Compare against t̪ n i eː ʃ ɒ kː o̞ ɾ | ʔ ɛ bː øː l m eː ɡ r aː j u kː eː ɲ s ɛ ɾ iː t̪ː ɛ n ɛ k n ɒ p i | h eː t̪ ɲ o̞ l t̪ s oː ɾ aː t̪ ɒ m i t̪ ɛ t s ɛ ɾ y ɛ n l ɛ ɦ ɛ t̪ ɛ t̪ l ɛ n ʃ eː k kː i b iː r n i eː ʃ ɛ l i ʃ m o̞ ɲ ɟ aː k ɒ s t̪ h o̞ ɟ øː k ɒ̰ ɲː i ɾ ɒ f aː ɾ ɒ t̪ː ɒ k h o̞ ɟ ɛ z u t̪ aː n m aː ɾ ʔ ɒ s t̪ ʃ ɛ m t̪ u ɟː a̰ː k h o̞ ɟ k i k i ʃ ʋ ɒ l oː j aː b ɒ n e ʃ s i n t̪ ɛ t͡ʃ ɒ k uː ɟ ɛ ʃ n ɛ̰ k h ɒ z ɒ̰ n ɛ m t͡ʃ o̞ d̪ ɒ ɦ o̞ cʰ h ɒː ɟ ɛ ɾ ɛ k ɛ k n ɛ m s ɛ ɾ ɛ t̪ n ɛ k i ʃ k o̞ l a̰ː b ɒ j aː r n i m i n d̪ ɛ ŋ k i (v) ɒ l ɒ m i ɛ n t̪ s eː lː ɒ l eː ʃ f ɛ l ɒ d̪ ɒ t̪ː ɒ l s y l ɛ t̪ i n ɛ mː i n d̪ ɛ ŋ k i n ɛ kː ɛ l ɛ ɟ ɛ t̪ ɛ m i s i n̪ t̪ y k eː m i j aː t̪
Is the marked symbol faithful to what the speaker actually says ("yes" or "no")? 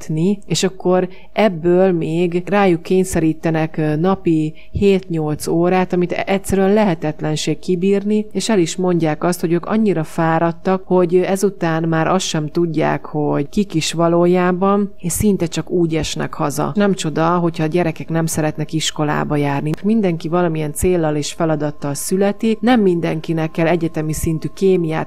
yes